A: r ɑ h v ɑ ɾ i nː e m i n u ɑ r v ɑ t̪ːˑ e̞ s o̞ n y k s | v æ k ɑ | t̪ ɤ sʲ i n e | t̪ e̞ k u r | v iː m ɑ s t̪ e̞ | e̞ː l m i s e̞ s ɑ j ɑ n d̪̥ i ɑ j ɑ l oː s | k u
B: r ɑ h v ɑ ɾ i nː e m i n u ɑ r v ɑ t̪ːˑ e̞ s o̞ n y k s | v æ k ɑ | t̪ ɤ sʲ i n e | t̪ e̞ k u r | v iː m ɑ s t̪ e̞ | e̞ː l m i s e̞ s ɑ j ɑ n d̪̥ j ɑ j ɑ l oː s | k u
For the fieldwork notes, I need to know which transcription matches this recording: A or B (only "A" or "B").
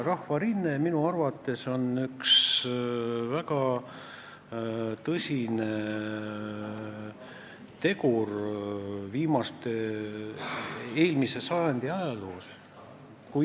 A